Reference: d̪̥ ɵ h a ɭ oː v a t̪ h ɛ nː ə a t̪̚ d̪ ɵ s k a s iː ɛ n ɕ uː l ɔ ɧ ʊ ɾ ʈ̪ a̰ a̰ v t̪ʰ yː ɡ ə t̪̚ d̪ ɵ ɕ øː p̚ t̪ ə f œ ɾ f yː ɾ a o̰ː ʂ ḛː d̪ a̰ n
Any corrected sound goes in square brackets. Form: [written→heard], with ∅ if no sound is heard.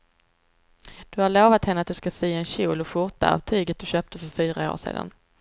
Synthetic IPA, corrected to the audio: d̪̥ ɵ h a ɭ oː v a t̪ h ɛ nː ə a t̪̚ d̪ ɵ s k a s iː ɛ n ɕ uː l ɔ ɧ ʊ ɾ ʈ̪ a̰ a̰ v t̪ʰ yː ɡ ə t̪̚ d̪ ɵ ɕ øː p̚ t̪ ə f œ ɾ f yː ɾ a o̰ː ʂ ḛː d̪ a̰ n